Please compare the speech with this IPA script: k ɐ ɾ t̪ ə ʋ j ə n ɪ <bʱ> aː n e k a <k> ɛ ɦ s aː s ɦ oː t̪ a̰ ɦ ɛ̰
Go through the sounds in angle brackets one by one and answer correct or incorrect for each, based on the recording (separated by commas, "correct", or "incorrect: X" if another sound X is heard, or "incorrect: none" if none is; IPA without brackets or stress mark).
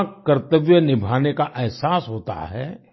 correct, incorrect: ʔ